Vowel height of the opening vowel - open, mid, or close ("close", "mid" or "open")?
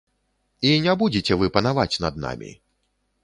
close